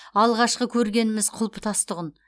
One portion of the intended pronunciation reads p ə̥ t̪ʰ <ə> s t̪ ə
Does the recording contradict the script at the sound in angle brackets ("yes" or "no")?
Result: yes